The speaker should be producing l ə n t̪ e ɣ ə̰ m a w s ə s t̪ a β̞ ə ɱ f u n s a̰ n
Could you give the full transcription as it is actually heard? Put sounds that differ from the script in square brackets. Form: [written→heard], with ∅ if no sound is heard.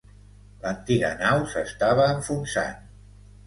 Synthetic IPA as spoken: l ə n t̪ [e→i] ɣ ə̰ [m→n] a w s ə s t̪ a β̞ [ə→əː] ɱ f u n s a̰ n